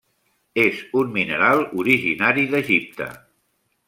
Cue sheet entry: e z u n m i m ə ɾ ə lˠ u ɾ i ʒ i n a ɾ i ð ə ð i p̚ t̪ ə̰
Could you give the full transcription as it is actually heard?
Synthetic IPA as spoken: e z u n m i n ə ɾ a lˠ u ɾ i ʒ i n a ɾ i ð ə ʒ i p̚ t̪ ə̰